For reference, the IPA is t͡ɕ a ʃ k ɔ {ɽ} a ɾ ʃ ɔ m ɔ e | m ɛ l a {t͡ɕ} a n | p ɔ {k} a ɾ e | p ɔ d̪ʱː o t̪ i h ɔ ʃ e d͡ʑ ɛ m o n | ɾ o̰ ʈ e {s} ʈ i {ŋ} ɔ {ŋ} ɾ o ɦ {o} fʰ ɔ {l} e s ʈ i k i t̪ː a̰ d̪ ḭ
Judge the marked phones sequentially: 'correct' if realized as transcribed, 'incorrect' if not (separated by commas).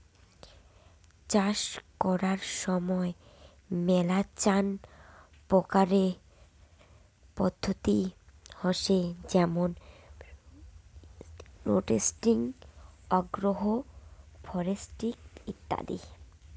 incorrect, correct, correct, correct, correct, incorrect, correct, incorrect